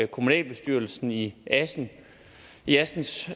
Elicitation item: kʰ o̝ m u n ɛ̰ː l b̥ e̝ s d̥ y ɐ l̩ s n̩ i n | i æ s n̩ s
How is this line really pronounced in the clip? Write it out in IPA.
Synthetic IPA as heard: kʰ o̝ m u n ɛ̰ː l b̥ e̝ s d̥ y ɐ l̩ s n̩ i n | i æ s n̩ s